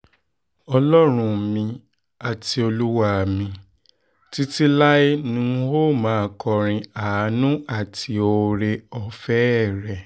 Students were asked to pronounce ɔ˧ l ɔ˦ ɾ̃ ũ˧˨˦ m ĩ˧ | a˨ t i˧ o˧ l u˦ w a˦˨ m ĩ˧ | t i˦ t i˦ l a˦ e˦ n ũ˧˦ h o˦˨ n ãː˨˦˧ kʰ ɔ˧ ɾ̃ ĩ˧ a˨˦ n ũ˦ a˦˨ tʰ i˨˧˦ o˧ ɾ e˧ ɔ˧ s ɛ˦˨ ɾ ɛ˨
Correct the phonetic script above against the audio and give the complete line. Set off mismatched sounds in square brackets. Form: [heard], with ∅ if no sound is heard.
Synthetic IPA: ɔ˧ l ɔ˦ ɾ̃ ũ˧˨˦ m ĩ˧ | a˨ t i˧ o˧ l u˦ w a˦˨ m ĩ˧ | t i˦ t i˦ l a˦ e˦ n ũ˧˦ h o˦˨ [m] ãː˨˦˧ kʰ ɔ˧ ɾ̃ ĩ˧ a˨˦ n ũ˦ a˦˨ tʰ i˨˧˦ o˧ ɾ e˧ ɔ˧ [f] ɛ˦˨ ɾ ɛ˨